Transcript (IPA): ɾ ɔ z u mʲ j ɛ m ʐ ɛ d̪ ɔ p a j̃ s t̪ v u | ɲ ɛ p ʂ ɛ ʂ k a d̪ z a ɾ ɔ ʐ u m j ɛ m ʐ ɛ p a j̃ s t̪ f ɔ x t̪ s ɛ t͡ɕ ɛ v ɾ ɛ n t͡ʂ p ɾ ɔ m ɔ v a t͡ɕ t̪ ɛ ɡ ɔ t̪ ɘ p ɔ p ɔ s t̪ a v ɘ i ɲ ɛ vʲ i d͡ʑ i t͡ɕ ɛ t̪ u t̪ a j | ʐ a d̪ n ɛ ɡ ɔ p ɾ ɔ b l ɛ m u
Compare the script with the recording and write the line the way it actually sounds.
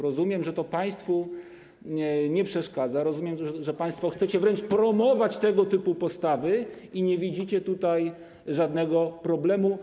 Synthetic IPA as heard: ɾ ɔ z u mʲ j ɛ m ʐ ɛ t̪ ɔ p a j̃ s t̪ f u | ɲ ɛ p ʂ ɛ ʂ k a d̪ z a ɾ ɔ z u m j ɛ m ʐ ɛ p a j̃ s t̪ f ɔ x t̪ s ɛ t͡ɕ ɛ v ɾ ɛ n t͡ʂ p ɾ ɔ m ɔ v a t͡ɕ t̪ ɛ ɡ ɔ t̪ ɘ p u p ɔ s t̪ a v ɘ i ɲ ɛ vʲ i d͡ʑ i t͡ɕ ɛ t̪ u t̪ a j | ʐ a d̪ n ɛ ɡ ɔ p ɾ ɔ b l ɛ m u